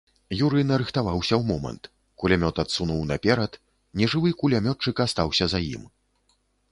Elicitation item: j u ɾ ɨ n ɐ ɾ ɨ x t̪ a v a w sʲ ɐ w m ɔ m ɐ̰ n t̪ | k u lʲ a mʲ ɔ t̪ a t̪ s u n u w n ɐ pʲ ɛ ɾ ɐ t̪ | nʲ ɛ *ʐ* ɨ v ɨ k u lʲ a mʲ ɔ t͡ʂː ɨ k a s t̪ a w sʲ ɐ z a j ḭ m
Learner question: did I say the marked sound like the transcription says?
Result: yes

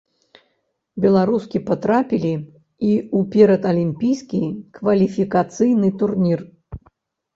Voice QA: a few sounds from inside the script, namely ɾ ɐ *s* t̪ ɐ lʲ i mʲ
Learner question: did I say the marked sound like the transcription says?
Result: no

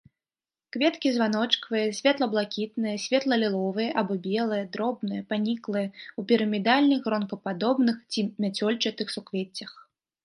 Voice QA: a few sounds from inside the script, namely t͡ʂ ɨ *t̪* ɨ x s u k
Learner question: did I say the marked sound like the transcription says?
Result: yes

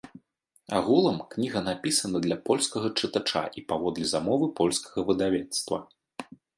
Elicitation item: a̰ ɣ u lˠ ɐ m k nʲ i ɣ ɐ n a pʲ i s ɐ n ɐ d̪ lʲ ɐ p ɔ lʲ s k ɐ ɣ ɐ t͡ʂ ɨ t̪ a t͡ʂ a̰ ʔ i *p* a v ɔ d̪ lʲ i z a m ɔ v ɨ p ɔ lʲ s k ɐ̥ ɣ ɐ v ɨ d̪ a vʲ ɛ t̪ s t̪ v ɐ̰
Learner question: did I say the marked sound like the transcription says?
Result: yes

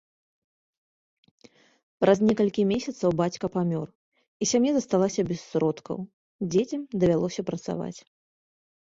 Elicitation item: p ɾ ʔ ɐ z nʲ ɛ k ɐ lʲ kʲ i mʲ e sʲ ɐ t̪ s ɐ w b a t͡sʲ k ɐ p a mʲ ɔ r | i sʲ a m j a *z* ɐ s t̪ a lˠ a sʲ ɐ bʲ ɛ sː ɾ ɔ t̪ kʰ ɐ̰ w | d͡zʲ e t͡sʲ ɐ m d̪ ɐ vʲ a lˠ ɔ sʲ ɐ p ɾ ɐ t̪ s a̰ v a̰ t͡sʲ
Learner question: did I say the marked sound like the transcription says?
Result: yes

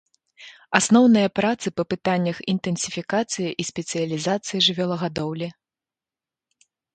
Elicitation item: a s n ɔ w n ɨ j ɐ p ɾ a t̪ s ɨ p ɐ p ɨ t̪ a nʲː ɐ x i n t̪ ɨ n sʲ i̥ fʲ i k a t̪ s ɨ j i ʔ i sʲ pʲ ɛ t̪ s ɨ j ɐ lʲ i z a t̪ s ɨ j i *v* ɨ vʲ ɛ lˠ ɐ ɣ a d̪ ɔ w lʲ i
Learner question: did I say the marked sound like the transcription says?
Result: no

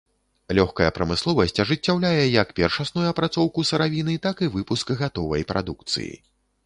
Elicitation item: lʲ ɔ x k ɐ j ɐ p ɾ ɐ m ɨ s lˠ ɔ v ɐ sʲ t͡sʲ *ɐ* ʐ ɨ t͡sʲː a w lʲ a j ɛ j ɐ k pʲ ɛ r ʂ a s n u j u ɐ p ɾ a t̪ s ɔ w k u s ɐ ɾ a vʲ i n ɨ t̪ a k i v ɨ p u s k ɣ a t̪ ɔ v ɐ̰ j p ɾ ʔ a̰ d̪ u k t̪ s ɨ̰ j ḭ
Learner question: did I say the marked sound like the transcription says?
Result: yes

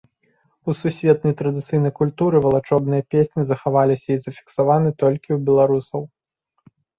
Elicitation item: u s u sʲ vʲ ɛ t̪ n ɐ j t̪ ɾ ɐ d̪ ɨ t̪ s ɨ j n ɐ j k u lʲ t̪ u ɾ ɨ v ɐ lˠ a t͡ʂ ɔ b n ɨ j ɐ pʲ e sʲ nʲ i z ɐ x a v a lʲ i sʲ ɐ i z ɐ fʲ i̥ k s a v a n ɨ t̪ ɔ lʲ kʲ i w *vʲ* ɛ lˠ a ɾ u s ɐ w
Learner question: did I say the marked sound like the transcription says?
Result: no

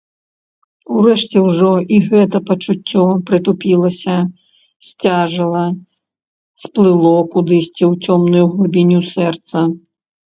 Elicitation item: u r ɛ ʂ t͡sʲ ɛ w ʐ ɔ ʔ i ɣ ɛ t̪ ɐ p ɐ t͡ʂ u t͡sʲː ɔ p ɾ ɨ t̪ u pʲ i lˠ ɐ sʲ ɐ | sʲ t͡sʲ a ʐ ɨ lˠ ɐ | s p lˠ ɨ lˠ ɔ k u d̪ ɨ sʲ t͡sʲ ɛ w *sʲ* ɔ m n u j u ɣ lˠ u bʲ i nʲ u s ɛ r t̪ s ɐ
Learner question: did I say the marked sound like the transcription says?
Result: no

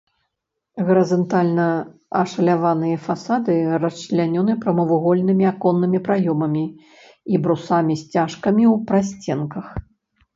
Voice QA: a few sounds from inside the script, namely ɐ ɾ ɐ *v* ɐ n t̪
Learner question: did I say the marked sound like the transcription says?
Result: no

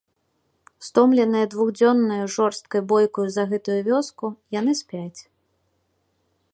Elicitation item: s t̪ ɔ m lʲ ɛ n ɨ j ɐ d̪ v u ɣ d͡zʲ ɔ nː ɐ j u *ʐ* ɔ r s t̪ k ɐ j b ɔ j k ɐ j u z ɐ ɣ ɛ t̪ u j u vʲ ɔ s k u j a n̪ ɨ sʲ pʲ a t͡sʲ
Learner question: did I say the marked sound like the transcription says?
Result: yes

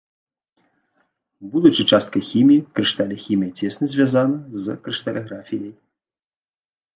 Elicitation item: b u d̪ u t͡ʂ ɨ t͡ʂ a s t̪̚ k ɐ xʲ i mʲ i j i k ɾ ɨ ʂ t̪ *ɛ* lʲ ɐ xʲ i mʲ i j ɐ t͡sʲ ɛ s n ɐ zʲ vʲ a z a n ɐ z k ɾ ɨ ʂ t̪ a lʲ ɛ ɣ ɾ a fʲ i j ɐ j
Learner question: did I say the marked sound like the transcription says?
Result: no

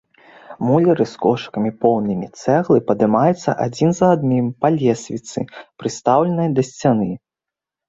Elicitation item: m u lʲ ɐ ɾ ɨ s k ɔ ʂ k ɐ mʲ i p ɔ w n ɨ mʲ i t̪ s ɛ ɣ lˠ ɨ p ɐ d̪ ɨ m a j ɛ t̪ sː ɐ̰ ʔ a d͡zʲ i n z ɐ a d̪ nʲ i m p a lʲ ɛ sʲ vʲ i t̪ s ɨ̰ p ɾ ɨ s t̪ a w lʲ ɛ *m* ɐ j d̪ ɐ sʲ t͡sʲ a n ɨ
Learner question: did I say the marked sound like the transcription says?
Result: no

